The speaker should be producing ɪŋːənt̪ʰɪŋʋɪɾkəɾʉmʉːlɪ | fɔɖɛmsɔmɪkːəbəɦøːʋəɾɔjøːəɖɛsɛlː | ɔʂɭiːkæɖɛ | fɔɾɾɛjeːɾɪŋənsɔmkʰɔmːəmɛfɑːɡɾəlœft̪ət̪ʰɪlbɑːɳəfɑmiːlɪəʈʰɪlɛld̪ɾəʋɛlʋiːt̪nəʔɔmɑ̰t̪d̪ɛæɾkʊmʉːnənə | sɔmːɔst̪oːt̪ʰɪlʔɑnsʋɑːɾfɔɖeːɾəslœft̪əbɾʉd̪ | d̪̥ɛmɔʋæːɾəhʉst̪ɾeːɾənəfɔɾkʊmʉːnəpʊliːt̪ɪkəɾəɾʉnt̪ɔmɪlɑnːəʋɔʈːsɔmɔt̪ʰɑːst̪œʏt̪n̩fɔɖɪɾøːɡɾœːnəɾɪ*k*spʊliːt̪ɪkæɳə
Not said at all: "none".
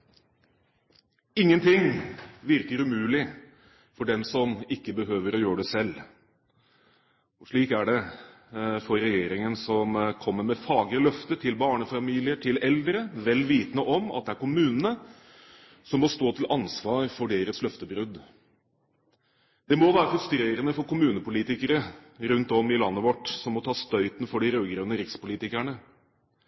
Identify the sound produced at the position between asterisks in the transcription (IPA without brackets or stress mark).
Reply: k